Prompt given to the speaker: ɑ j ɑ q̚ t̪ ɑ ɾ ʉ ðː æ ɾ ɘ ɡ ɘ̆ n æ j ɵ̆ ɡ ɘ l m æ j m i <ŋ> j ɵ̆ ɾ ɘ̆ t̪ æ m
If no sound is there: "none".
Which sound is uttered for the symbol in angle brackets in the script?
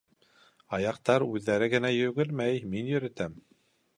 n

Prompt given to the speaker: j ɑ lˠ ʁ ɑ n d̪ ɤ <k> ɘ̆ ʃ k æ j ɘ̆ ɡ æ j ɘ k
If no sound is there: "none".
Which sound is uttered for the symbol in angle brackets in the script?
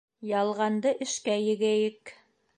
ʔ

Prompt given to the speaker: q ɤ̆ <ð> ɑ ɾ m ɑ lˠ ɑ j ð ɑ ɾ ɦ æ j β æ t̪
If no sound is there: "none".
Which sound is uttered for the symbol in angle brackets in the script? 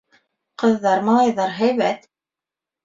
ðː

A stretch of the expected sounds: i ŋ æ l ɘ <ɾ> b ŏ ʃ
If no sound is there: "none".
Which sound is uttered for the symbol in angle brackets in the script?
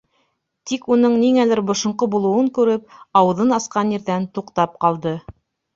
ɾ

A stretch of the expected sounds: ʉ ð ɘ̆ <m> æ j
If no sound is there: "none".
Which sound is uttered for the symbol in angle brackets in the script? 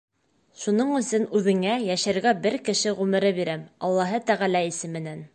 ŋ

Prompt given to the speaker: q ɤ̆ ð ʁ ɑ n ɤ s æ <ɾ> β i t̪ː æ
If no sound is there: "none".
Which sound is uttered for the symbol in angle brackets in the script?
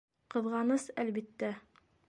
l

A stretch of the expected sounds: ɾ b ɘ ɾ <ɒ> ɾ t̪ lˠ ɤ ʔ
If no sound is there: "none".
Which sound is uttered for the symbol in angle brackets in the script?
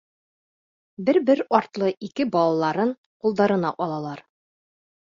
ɒ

